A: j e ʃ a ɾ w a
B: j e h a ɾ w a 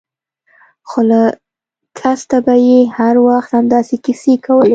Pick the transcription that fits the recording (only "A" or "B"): B